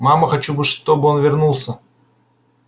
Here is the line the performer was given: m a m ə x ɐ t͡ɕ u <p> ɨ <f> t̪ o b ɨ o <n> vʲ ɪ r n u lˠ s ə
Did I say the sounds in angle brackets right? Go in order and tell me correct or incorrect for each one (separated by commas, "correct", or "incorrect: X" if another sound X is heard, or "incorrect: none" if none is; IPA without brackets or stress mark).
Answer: incorrect: b, incorrect: ʂ, correct